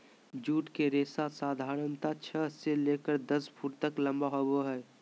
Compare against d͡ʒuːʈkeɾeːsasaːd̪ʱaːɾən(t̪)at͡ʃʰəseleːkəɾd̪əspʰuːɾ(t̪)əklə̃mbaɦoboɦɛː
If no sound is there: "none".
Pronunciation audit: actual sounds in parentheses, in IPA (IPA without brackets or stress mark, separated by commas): t̪, t̪